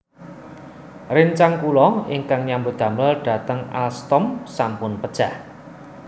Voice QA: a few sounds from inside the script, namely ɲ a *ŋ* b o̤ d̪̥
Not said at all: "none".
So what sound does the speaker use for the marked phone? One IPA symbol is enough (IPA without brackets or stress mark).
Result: m